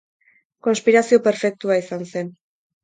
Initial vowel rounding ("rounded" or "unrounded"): rounded